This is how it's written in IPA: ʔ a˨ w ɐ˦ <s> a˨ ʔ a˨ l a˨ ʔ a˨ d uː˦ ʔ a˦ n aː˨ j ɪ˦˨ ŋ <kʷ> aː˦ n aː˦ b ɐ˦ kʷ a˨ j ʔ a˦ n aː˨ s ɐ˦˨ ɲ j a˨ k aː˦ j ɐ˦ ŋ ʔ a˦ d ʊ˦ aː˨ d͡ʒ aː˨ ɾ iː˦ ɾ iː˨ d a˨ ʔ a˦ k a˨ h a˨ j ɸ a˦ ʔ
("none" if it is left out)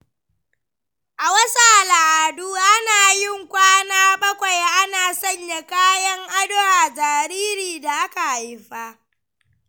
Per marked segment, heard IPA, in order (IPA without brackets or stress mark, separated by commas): s, kʷ